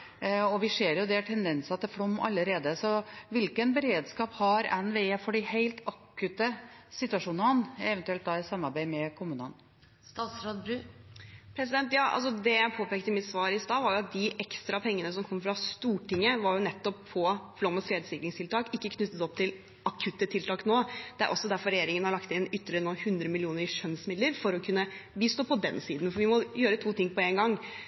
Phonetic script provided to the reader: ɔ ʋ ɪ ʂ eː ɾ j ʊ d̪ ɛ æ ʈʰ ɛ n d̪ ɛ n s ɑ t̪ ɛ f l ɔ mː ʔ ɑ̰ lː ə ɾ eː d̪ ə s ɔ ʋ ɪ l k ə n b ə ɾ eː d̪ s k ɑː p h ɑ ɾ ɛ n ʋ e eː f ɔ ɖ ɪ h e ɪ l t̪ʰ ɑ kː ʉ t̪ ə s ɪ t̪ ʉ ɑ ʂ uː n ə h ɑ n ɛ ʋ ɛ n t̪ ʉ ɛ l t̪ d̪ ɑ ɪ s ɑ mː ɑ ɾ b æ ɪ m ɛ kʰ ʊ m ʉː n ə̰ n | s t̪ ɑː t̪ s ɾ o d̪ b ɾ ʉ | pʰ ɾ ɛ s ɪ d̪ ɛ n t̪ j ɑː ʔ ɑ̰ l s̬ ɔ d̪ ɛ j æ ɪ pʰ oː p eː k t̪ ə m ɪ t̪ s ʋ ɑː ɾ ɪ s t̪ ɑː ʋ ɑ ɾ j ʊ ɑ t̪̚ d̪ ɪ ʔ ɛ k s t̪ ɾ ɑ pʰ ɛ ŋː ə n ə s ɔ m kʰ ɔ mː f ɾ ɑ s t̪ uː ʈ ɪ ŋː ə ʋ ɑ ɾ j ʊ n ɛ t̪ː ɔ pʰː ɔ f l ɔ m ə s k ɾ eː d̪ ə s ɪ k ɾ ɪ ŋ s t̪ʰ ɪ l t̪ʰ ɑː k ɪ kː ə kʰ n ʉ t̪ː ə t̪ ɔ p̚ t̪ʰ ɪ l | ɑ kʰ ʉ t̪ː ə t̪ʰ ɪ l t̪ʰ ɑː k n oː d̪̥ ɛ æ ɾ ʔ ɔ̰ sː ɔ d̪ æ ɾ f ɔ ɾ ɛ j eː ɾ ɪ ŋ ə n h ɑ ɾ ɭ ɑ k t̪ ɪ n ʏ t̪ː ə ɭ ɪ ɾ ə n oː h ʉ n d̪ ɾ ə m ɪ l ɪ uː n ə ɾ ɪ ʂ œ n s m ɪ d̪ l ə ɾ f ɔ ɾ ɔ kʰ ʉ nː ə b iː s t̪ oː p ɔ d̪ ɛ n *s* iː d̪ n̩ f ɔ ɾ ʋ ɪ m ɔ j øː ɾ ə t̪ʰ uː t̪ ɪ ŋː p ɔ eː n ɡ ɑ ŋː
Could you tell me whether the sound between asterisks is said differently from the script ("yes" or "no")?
no